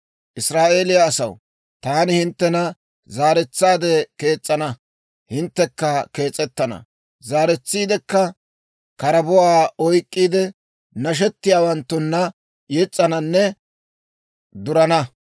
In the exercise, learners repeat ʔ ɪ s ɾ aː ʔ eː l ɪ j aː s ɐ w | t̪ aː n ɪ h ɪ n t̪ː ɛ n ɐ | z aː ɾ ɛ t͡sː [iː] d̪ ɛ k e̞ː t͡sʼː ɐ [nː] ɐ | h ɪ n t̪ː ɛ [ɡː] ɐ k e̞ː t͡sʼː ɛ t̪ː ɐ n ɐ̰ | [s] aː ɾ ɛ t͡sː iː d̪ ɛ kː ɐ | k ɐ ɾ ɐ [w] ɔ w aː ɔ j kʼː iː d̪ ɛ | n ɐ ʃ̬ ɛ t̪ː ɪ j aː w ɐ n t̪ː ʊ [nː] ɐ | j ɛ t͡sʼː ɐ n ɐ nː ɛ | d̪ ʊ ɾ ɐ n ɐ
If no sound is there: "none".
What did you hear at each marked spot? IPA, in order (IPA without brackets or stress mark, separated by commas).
aː, n, kː, z, b, nː